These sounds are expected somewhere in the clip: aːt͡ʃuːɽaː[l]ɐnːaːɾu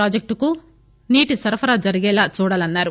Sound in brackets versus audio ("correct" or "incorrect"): correct